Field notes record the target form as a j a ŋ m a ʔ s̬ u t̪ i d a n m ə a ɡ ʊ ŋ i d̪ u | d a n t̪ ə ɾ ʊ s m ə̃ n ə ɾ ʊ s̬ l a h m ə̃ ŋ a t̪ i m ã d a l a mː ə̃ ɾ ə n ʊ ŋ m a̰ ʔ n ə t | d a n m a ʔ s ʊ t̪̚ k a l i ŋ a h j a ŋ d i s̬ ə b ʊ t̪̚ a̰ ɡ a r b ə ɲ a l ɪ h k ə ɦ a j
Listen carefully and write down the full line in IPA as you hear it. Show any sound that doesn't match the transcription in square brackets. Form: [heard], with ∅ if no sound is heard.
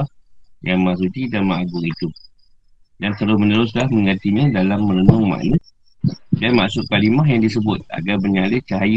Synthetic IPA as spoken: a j a ŋ m a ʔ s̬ u t̪ i d a n m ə a ɡ ʊ ŋ i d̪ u | d a n t̪ ə ɾ ʊ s m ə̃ n ə ɾ ʊ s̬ l a h m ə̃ ŋ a t̪ i [ɲ] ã d a l a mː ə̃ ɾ ə n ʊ ŋ m a̰ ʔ n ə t | d a n m a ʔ s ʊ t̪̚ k a l i [m] a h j a ŋ d i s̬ ə b ʊ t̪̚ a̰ ɡ a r b ə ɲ a l ɪ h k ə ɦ a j